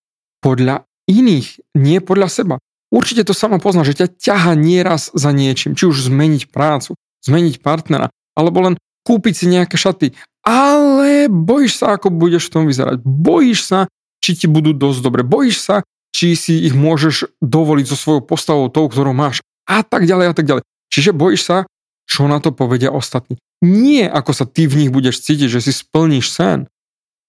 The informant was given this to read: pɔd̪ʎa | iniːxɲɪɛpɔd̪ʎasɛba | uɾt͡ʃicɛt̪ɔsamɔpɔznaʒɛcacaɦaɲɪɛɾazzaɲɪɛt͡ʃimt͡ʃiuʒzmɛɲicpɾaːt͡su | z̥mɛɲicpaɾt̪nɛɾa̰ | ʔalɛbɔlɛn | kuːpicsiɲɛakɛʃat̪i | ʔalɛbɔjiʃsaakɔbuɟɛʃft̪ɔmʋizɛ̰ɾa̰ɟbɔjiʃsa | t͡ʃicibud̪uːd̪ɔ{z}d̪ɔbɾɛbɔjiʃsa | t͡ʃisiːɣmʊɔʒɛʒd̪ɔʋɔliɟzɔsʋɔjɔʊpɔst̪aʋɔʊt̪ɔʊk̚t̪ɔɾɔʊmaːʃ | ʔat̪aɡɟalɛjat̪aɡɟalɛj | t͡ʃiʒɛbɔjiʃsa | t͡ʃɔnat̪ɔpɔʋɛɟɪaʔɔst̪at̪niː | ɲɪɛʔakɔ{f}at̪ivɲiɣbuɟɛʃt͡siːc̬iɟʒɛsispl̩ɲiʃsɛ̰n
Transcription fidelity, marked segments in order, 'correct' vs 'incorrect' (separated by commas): correct, incorrect